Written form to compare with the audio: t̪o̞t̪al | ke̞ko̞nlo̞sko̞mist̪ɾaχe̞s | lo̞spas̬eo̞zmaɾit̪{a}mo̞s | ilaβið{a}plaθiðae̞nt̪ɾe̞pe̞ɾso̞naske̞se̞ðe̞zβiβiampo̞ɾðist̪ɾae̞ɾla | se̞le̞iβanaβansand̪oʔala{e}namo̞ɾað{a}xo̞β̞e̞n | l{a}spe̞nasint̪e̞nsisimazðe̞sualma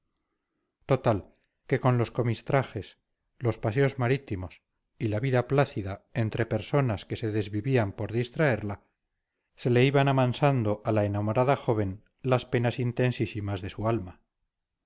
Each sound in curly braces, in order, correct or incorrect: incorrect: i, correct, correct, correct, correct

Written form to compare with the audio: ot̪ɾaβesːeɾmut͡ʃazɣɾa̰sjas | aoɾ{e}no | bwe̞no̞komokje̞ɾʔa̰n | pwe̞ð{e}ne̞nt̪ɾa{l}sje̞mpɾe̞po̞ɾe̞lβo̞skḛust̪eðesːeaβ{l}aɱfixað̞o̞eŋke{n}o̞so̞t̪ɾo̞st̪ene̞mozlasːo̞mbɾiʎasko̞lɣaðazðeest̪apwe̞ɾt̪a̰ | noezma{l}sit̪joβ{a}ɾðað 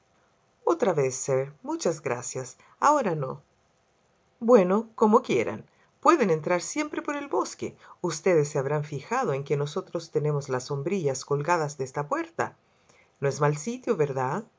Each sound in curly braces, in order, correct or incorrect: incorrect: a, correct, incorrect: ɾ, incorrect: ɾ, correct, correct, incorrect: e

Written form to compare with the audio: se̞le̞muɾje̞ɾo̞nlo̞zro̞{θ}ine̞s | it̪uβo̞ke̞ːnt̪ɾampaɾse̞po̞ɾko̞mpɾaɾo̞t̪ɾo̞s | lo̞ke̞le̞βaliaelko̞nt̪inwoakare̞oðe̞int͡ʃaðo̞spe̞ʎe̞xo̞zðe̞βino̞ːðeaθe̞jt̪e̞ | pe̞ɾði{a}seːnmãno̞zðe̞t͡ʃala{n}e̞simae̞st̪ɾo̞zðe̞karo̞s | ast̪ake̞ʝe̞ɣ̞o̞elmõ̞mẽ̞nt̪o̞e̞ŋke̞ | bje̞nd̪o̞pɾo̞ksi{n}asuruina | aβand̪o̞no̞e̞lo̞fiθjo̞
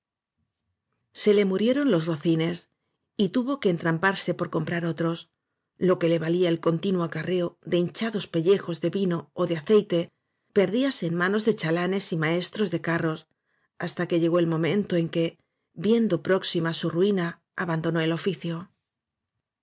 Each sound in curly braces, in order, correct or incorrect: correct, correct, correct, incorrect: m

